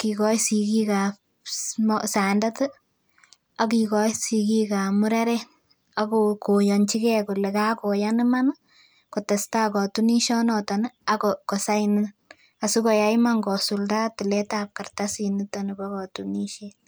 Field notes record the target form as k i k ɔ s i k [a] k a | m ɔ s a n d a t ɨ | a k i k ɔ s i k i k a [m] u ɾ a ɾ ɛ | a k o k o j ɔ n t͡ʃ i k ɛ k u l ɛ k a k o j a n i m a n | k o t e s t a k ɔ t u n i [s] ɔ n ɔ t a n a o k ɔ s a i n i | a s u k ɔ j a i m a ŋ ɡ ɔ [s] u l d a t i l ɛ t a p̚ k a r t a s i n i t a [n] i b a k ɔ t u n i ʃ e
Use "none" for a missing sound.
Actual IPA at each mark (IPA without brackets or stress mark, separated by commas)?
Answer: i, m, ʃ, s, n